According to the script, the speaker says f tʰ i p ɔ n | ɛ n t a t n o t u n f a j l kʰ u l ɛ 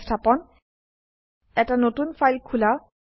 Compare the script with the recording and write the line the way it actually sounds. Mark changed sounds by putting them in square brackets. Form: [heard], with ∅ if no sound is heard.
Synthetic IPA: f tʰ [a] p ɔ n | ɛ [∅] t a [∅] n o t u n f a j l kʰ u l [a]